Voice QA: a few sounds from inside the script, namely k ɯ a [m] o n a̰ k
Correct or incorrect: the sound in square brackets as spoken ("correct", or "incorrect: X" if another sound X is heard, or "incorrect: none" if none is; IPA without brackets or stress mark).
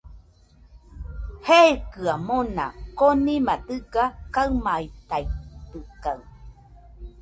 correct